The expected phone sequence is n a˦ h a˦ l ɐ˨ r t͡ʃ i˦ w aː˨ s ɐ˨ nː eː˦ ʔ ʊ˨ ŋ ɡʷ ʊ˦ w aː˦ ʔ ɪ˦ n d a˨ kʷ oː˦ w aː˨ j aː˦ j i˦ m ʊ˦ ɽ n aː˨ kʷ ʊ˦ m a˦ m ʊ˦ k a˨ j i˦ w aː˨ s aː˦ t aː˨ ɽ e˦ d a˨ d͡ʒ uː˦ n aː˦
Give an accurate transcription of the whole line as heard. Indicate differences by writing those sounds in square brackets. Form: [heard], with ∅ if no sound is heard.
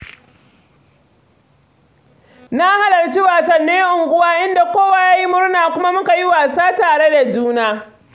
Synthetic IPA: n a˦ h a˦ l ɐ˨ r t͡ʃ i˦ w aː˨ s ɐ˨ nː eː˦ ʔ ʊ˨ ŋ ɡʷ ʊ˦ w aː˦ ʔ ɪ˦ n d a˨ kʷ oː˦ w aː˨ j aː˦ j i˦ m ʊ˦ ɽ n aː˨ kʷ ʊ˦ m a˦ m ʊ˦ k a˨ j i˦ w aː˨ s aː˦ t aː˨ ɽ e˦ d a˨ d͡ʒ uː˦ n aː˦